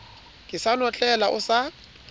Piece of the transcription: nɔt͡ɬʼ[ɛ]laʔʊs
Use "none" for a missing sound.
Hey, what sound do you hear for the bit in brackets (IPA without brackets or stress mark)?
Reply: ɛ